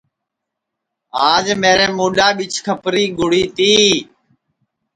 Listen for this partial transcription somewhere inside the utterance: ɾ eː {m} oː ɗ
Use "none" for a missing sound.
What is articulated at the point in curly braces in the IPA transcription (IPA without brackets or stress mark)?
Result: m